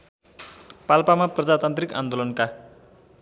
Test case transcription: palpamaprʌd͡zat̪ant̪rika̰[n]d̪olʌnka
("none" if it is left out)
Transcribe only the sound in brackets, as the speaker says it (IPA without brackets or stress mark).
n